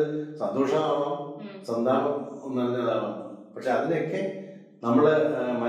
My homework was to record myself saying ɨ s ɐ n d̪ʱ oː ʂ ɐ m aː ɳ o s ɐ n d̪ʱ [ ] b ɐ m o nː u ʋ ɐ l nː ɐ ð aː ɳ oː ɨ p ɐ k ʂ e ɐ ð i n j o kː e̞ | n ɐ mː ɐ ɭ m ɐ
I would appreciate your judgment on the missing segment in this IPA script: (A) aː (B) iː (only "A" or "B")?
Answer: A